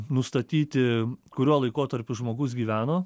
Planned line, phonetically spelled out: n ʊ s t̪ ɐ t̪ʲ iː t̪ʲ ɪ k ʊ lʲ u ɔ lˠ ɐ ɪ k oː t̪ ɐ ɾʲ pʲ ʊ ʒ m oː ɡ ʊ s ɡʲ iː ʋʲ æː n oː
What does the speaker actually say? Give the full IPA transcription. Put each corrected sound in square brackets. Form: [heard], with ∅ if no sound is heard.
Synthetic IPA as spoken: n ʊ s t̪ ɐ t̪ʲ iː t̪ʲ ɪ k ʊ [ɾʲ] u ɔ lˠ ɐ ɪ k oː t̪ ɐ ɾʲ pʲ ʊ ʒ m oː ɡ ʊ s ɡʲ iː ʋʲ æː n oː